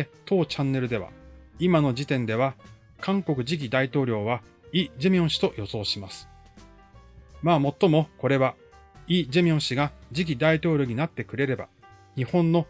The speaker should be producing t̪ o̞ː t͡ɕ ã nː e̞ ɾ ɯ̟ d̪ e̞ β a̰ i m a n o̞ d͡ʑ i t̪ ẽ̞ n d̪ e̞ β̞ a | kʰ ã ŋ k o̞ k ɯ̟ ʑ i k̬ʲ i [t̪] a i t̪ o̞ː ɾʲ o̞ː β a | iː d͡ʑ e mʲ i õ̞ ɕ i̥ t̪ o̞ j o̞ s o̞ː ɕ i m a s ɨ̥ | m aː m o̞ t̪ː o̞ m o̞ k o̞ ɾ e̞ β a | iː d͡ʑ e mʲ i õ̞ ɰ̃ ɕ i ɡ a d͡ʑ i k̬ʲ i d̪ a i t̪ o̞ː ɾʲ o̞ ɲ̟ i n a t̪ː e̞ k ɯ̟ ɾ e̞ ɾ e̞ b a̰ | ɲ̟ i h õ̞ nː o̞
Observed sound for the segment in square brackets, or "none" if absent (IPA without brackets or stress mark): d̪